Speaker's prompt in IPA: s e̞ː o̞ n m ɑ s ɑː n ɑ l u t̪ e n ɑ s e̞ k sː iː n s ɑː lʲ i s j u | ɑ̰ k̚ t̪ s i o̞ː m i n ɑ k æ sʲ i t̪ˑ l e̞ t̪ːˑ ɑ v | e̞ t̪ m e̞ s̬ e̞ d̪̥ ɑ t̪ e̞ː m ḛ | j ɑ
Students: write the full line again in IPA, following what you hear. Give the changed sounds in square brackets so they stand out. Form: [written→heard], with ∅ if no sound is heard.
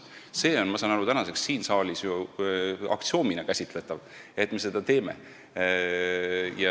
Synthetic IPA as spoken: s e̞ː o̞ n m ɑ s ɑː n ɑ [l→ɾ] u t̪ [e→æ] n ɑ s e̞ k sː iː n s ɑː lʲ i s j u | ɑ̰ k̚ t̪ s i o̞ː m i n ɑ k æ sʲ i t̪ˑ l e̞ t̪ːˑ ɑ v | e̞ t̪ m e̞ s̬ e̞ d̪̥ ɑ t̪ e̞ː m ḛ | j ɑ